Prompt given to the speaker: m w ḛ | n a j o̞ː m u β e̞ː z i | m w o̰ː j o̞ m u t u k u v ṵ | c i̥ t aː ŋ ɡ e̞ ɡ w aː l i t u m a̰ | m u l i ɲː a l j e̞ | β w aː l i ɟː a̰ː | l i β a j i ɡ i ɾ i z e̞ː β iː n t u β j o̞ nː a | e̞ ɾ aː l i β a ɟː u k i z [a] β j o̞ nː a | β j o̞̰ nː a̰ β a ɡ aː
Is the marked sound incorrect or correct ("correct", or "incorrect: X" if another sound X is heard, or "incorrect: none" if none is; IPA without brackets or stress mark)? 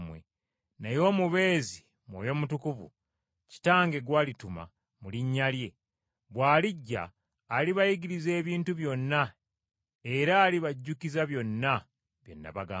correct